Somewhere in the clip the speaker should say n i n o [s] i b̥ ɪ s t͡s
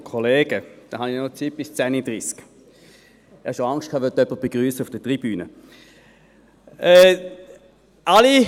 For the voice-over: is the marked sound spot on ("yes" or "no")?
no